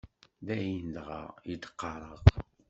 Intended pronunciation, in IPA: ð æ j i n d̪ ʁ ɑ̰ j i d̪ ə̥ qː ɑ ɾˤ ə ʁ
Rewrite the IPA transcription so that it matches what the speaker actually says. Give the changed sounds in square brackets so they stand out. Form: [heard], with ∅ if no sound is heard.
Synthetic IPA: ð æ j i n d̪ ʁ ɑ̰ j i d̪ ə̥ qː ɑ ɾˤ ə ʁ